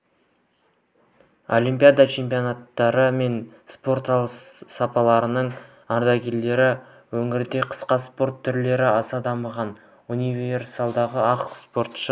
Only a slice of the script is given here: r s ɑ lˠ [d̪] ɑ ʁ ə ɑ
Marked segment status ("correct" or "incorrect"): correct